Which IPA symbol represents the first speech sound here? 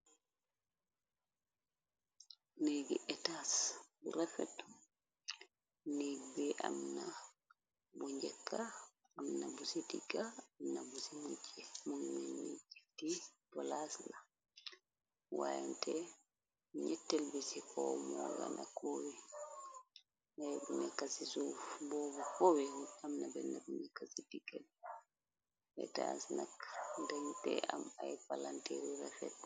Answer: n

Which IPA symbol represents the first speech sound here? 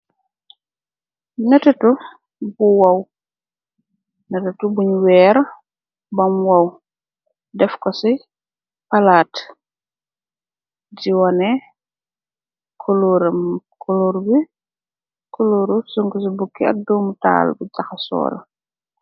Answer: n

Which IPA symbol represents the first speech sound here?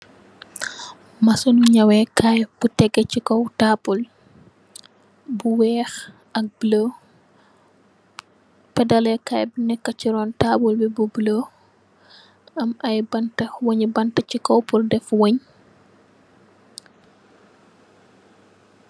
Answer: m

